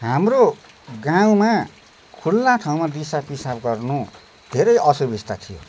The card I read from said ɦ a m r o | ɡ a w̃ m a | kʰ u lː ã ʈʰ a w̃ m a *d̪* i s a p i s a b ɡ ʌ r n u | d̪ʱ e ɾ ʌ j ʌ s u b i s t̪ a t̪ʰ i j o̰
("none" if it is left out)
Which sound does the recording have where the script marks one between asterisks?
d̪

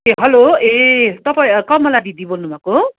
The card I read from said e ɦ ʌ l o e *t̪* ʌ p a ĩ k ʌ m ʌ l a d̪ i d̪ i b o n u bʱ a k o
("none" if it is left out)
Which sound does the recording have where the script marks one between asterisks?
t̪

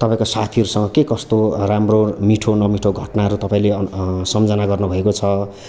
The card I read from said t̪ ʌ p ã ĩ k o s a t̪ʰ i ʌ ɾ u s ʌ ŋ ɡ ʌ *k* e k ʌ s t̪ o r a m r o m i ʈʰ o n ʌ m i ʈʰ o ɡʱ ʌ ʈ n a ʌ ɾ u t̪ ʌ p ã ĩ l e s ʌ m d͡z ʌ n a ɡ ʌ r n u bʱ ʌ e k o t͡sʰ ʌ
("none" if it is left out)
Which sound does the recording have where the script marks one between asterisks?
k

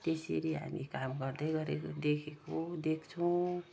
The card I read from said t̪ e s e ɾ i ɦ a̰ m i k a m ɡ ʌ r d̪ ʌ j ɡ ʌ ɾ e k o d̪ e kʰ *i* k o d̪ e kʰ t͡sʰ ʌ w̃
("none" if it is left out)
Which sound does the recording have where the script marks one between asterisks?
e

